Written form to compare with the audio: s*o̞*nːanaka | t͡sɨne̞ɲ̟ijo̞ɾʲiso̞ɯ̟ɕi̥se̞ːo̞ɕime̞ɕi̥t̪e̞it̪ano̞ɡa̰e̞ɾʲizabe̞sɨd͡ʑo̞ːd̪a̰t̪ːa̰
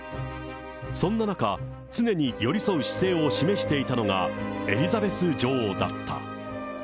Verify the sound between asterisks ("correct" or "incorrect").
incorrect